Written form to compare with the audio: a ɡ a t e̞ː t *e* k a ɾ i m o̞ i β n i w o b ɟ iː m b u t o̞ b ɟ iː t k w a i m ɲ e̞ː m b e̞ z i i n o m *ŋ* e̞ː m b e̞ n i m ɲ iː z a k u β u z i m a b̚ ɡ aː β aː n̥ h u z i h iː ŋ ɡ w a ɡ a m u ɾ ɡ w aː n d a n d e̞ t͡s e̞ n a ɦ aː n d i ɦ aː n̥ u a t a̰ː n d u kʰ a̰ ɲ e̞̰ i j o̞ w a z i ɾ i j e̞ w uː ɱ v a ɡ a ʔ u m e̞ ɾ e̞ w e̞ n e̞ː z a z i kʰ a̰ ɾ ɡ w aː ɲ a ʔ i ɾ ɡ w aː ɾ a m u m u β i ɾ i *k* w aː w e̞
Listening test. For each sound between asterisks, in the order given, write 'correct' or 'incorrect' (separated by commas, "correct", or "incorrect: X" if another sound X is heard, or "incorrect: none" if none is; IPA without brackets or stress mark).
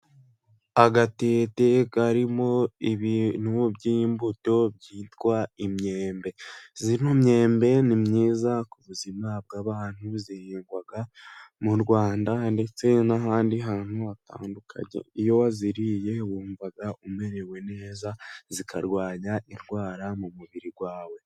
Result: correct, incorrect: ɲ, incorrect: ɡ